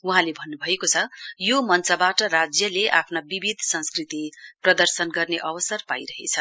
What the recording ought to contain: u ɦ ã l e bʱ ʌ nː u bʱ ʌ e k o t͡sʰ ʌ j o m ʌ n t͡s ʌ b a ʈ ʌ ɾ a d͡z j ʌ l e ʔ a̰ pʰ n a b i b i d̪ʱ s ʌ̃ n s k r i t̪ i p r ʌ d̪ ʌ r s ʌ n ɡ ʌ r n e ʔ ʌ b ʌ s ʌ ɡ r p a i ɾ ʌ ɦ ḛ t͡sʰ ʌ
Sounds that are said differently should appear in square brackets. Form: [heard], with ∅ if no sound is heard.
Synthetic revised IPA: u ɦ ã l e bʱ ʌ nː u bʱ ʌ e k o t͡sʰ ʌ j o m ʌ n t͡s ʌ b a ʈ ʌ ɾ a d͡z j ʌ l e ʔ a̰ pʰ n a b i b i d̪ʱ s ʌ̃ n s k r i t̪ i p r ʌ d̪ ʌ r s ʌ n ɡ ʌ r n e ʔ ʌ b ʌ s ʌ [∅] r p a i ɾ ʌ ɦ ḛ t͡sʰ ʌ